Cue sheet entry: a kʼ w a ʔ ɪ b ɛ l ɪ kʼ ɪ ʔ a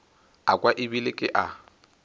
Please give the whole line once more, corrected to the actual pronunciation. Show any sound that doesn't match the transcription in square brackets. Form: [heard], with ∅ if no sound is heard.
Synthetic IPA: a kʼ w a ʔ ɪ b [i] l ɪ kʼ ɪ ʔ a

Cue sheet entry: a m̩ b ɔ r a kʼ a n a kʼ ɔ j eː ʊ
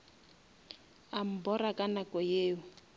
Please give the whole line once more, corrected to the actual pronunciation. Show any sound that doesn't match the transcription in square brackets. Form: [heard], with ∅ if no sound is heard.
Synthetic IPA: a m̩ b ɔ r a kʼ a n a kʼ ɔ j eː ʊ

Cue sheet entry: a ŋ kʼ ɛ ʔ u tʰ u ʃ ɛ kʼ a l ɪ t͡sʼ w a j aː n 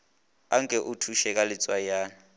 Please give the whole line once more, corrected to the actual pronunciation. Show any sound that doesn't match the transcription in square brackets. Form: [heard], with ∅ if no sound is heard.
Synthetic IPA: a ŋ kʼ ɛ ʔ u tʰ u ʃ ɛ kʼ a l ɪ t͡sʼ w a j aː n

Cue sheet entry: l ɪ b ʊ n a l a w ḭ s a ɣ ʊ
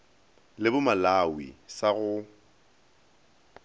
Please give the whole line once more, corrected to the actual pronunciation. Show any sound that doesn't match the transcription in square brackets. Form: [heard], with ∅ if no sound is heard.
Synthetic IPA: l ɪ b ʊ [m] a l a w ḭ s a ɣ ʊ

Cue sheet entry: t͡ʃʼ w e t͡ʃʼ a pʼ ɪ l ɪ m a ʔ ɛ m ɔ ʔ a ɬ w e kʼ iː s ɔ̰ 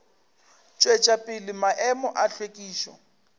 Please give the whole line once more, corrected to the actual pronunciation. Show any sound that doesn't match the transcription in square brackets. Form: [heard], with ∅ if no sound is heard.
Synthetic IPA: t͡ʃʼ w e t͡ʃʼ a pʼ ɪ l ɪ m a ʔ ɛ m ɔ ʔ a ɬ w e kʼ iː [ʃ] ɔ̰

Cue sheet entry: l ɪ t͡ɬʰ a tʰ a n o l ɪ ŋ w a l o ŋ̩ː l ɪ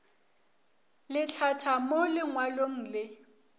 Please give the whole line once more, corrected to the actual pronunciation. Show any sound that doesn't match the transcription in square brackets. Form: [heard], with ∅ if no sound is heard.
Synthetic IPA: l ɪ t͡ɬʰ a tʰ a [m] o l ɪ ŋ w a l o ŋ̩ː l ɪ

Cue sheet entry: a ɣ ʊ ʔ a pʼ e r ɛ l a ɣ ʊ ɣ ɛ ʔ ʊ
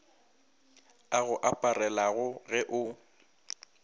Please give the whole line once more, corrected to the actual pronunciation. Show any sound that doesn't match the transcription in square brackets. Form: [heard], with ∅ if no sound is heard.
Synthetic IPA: a ɣ ʊ ʔ a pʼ [a] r ɛ l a ɣ ʊ ɣ ɛ ʔ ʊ

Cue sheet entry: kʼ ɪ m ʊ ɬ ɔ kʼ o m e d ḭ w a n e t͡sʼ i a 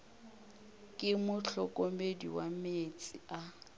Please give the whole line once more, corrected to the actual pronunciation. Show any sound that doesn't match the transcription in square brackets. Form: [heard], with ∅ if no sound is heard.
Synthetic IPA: kʼ ɪ m ʊ ɬ ɔ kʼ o m e d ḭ w a [m] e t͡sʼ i a

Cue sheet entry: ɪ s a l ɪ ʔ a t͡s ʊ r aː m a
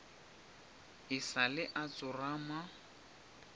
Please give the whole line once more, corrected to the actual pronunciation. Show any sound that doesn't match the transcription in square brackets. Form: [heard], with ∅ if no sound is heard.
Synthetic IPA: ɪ s a l ɪ ʔ a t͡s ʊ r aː m a

